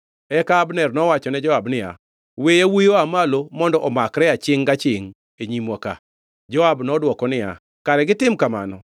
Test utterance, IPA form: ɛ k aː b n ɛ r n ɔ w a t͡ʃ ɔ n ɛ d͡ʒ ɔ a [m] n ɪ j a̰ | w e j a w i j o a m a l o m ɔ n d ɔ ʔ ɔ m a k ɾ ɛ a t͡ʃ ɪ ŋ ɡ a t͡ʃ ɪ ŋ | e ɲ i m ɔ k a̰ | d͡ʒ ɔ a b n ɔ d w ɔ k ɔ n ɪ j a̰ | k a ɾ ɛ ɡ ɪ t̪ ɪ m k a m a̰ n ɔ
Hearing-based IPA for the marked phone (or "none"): b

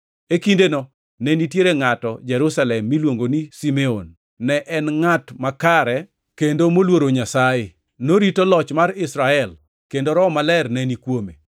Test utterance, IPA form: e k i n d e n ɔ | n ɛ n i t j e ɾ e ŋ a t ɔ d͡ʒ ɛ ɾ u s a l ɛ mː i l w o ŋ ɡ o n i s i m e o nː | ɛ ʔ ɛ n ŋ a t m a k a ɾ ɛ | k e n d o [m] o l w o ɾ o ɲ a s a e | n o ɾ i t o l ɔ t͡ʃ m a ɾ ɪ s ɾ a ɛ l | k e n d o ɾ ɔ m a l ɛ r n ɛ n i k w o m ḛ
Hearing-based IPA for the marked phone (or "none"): m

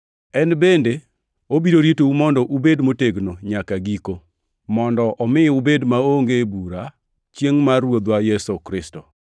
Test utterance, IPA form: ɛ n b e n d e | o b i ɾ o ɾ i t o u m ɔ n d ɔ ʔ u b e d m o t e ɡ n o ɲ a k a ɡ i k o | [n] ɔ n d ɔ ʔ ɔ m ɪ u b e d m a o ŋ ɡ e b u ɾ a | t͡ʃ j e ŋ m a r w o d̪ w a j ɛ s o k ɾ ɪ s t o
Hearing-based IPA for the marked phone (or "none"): m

